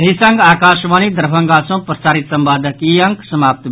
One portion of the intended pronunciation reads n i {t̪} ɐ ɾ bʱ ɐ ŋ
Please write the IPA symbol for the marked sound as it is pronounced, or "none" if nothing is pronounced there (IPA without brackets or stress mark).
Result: d̪